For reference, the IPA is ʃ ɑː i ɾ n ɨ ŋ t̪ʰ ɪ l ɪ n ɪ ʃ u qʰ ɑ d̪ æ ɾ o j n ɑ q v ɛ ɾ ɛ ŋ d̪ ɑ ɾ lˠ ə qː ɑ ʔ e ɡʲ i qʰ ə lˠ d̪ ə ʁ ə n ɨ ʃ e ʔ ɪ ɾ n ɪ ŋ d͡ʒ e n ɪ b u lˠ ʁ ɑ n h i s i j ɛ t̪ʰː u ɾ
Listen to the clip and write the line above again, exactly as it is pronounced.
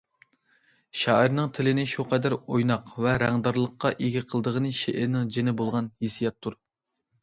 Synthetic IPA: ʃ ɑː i ɾ n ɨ ŋ t̪ʰ ɪ l ɪ n ɪ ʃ u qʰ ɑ d̪ æ ɾ o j n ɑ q v ɛ ɾ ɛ ŋ d̪ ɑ ɾ lˠ ə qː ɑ ʔ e ɡʲ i qʰ ə lˠ d̪ ə ʁ ə n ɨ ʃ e ʔ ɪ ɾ n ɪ ŋ d͡ʒ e n ɪ b o lˠ ʁ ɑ n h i s i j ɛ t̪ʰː u ɾ